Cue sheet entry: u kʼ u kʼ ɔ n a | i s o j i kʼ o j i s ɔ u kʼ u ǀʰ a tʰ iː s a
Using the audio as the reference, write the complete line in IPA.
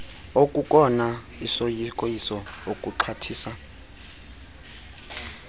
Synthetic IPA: o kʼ u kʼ ɔ n a | i s o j i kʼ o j i s ɔ o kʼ u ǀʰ a tʰ iː s a